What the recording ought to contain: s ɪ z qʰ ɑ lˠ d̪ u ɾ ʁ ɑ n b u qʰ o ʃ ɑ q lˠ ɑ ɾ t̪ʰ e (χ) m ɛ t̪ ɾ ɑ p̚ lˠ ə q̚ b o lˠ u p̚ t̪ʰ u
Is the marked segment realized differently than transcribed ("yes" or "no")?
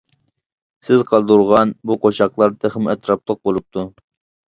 no